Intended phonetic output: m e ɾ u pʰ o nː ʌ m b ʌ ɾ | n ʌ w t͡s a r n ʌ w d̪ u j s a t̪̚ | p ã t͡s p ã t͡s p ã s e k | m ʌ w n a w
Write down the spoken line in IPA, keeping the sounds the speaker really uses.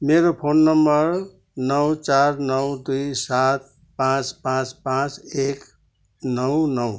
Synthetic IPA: m e ɾ o pʰ o nː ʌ m b ʌ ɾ | n ʌ w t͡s a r n ʌ w d̪ u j s a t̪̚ | p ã t͡s p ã t͡s p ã t͡s e k | n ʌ w n ʌ w